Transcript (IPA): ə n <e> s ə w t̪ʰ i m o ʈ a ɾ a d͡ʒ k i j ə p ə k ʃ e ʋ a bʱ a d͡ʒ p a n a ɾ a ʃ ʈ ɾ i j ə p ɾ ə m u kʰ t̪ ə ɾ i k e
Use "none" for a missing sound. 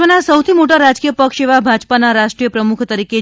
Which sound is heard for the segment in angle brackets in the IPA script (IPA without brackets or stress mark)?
a